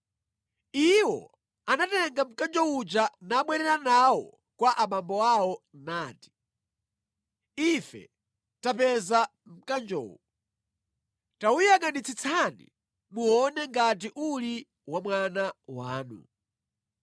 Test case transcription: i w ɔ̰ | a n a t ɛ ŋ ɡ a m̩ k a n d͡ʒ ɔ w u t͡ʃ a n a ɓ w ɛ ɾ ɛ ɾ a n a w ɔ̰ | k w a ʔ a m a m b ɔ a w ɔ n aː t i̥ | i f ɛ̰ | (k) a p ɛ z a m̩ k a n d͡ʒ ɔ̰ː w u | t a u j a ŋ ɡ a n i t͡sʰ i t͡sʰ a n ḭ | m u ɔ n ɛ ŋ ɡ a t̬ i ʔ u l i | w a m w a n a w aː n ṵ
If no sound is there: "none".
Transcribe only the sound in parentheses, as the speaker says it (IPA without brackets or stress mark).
t